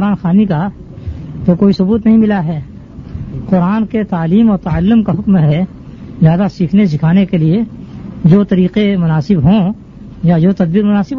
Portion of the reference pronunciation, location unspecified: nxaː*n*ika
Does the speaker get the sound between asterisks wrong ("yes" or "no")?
no